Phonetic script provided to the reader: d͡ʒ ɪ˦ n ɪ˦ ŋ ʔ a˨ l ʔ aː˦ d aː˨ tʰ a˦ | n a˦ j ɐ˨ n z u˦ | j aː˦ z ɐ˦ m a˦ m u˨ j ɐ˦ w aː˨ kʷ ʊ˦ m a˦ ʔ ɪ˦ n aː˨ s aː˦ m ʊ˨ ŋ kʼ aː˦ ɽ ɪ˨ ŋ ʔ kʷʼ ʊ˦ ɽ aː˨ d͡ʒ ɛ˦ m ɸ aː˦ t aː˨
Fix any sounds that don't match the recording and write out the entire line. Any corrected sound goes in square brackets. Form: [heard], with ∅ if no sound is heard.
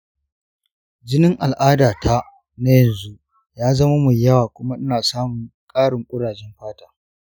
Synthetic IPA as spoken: d͡ʒ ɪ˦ n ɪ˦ ŋ ʔ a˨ l ʔ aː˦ d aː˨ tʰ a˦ | n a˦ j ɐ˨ n z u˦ | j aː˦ z ɐ˦ m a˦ m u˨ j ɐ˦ w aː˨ kʷ ʊ˦ m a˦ ʔ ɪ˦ n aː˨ s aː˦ m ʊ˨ ŋ kʼ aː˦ ɽ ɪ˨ ŋ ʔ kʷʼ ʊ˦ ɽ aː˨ d͡ʒ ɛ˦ m ɸ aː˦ t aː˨